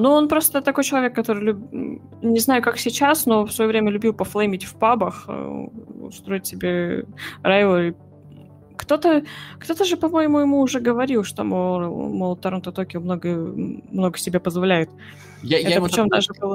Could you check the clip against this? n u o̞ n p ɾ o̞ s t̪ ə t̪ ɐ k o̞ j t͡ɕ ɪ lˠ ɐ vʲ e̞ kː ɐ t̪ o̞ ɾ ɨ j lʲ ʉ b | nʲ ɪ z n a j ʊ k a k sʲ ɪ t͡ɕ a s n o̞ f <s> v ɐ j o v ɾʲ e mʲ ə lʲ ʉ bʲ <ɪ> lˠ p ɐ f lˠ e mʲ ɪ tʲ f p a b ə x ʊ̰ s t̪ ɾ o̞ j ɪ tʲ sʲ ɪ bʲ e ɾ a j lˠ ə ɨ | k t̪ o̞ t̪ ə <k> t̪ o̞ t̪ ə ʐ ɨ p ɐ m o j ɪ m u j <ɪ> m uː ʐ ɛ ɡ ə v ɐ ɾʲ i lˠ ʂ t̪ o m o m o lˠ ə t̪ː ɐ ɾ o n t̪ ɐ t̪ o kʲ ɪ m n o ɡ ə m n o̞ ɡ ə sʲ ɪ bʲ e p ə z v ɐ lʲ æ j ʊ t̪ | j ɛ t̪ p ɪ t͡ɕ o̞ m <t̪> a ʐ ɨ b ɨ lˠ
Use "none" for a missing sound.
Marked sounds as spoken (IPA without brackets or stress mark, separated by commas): s, i, k, ɪ, d̪